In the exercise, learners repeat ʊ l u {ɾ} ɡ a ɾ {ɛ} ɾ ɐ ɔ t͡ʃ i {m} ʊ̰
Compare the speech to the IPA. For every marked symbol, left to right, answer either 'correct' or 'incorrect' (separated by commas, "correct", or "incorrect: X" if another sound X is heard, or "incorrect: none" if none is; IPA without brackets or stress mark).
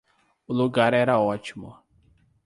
incorrect: none, correct, correct